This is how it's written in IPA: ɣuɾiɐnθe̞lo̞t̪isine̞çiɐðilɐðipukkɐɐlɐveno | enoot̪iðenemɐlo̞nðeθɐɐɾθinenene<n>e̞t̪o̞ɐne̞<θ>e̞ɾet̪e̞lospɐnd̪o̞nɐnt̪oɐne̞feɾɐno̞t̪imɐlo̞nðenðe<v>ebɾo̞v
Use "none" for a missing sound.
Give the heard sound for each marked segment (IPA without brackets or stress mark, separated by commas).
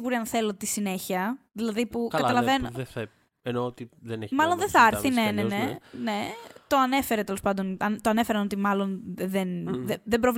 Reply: n, f, ð